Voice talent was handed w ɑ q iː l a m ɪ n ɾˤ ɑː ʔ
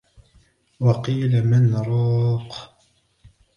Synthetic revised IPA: w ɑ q iː l a m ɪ n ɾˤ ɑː q